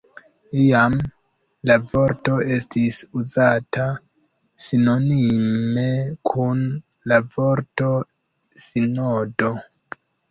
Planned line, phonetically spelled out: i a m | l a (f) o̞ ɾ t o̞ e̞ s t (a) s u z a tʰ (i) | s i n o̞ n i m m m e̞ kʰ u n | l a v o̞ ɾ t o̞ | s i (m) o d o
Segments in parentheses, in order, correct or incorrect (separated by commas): incorrect, incorrect, incorrect, incorrect